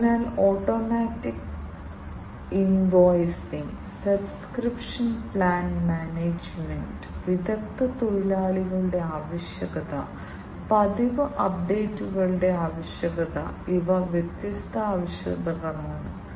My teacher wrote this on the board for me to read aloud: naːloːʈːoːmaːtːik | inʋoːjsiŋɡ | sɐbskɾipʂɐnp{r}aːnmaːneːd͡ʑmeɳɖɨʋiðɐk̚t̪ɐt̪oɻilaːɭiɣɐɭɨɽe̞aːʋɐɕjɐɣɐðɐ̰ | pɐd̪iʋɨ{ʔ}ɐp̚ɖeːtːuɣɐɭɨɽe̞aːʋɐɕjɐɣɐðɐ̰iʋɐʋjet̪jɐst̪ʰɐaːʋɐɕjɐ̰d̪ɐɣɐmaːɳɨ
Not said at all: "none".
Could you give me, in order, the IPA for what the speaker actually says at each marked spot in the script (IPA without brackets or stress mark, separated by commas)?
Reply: ɭ, ʔ